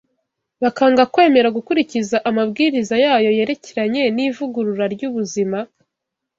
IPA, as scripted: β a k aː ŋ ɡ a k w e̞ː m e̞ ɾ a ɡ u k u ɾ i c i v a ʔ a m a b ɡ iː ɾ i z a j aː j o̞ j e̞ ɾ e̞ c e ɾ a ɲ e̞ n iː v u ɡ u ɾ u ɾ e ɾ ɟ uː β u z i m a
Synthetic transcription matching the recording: β a k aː ŋ ɡ a k w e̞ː m e̞ ɾ a ɡ u k u ɾ i c i z a ʔ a m a b ɡ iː ɾ i z a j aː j o̞ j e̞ ɾ e̞ c e ɾ a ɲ e̞ n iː v u ɡ u ɾ u ɾ a ɾ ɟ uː β u z i m a